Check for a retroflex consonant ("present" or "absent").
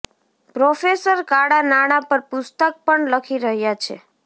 present